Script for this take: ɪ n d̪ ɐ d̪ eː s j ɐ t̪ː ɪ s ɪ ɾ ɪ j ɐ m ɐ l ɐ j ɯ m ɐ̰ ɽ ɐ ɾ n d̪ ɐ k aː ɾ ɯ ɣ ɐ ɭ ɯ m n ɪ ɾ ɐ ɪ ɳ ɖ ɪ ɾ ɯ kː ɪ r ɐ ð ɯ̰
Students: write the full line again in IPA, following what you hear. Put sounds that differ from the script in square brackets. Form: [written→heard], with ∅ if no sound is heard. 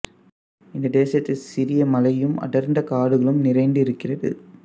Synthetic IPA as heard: ɪ n d̪ ɐ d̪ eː s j ɐ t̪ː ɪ s ɪ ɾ ɪ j ɐ m ɐ l ɐ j ɯ m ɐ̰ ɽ ɐ ɾ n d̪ ɐ k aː [ɾ→ɽ] ɯ ɣ ɐ ɭ ɯ m n ɪ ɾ ɐ ɪ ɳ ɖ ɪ ɾ ɯ kː ɪ r ɐ ð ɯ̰